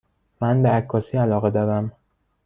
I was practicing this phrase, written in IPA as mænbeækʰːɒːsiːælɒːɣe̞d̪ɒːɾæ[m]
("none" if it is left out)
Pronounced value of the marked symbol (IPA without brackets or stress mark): m